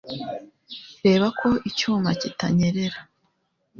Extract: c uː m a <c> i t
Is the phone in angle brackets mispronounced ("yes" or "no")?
no